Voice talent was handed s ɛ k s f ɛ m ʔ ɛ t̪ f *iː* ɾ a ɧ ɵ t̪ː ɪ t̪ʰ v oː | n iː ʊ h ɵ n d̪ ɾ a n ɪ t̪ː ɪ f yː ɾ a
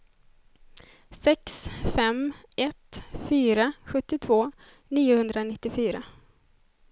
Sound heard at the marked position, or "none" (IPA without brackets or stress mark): yː